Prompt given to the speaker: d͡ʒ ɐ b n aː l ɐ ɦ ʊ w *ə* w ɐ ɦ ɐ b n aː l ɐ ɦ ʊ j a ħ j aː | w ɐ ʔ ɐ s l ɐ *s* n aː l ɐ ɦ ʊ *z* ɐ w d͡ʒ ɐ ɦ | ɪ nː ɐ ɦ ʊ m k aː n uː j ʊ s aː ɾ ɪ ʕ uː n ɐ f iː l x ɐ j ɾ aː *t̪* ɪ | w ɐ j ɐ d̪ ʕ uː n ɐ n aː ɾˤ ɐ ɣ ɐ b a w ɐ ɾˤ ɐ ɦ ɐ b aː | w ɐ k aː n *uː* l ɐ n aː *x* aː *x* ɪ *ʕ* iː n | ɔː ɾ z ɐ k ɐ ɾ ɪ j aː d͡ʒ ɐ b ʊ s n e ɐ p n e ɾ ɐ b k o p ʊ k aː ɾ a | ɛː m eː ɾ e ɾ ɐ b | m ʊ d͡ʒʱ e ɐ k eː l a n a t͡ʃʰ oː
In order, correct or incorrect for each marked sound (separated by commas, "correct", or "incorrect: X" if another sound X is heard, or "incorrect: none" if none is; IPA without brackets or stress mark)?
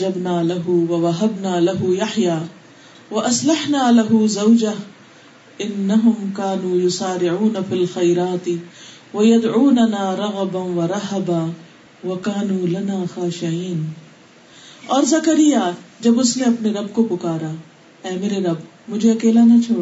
incorrect: ɐ, incorrect: ħ, correct, correct, correct, correct, incorrect: ʃ, correct